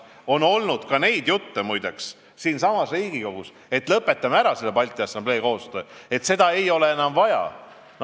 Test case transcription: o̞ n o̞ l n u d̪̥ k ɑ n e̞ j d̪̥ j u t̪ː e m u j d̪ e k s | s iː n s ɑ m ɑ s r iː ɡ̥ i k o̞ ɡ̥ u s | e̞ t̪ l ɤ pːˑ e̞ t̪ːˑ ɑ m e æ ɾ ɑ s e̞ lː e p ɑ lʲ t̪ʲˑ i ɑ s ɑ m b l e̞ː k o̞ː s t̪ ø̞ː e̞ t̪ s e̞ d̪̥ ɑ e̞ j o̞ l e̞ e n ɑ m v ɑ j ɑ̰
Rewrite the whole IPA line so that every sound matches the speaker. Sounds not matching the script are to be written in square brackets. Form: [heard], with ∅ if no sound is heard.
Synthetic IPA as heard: o̞ n o̞ l n u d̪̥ k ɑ n e̞ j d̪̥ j u t̪ː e m u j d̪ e k s | s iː n s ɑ m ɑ s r iː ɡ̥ i k o̞ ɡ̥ u s | e̞ t̪ l ɤ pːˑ e̞ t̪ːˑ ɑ m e æ ɾ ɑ s e̞ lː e p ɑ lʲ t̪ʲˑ i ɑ s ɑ m b l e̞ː k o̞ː s t̪ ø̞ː e̞ t̪ s e̞ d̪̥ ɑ e̞ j o̞ l e̞ e n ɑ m v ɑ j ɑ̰